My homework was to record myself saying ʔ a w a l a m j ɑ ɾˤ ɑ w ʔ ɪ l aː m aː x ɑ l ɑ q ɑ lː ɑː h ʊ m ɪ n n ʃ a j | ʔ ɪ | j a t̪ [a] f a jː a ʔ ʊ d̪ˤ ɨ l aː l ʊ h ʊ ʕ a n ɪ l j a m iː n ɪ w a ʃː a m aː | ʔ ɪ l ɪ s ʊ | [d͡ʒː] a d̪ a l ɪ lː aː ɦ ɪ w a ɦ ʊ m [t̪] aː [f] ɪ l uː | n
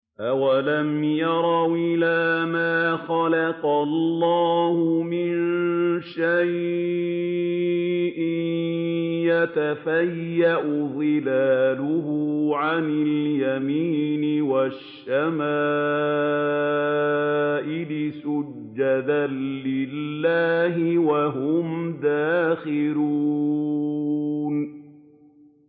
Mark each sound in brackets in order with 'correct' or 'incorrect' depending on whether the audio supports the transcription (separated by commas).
correct, correct, incorrect, incorrect